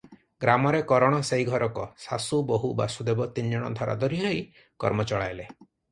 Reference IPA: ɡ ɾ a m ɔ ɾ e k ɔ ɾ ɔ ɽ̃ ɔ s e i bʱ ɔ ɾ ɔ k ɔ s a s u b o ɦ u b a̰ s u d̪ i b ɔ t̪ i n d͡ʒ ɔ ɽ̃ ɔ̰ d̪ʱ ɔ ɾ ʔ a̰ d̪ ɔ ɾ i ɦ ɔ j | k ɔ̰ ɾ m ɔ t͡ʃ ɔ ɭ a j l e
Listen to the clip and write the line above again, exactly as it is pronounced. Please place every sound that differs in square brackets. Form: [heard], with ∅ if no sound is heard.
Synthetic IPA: ɡ ɾ a m ɔ ɾ e k ɔ ɾ ɔ ɽ̃ ɔ s e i [ɡʱ] ɔ ɾ ɔ k ɔ s a s u b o ɦ u b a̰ s u d̪ [e] b ɔ t̪ i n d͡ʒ ɔ ɽ̃ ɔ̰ d̪ʱ ɔ ɾ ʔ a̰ d̪ ɔ ɾ i ɦ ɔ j | k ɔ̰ ɾ m ɔ t͡ʃ ɔ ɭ a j l e